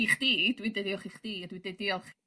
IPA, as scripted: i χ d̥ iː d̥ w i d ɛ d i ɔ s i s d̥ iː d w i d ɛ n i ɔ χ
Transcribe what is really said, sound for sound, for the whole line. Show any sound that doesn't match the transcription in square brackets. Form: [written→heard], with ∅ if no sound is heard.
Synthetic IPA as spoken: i χ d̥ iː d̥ w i d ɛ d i ɔ [s→χ] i [s→χ] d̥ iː d w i d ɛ [n→d] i ɔ χ